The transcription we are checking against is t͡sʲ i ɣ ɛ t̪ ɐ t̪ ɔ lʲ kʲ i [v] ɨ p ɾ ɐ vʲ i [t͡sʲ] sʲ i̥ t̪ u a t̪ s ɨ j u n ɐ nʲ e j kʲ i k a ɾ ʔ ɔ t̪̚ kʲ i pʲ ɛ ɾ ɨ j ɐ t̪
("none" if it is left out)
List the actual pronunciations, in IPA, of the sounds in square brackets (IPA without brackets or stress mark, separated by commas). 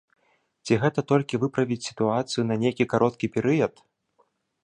v, t͡sʲ